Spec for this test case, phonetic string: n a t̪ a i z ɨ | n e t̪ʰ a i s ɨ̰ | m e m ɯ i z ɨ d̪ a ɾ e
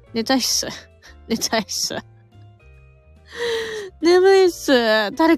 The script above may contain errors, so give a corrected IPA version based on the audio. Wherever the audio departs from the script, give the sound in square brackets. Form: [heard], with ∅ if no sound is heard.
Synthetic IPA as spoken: n [e] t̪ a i [s] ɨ | n e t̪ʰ a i s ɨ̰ | [n] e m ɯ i [s] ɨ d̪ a ɾ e